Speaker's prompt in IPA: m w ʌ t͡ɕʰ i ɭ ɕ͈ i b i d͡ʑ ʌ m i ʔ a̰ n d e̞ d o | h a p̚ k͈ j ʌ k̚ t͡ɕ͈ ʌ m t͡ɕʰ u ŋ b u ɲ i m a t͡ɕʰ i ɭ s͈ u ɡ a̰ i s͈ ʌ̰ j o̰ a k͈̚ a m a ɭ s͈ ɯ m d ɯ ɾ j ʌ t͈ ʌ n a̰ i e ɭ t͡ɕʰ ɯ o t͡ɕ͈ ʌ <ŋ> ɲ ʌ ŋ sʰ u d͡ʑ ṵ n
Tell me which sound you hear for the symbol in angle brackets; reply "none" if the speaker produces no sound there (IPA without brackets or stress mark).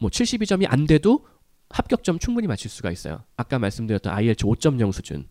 m